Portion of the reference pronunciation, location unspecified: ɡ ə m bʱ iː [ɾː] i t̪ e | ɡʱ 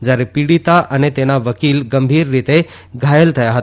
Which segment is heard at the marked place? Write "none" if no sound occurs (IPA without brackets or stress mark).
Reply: ɾː